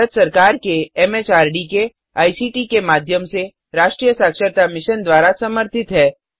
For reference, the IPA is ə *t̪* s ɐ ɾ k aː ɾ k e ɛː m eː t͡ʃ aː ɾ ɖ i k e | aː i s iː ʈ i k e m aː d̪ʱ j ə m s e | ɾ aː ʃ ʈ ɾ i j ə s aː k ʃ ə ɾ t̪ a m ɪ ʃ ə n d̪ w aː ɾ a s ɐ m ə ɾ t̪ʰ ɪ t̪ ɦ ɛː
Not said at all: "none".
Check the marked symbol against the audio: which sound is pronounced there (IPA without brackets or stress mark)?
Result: t̪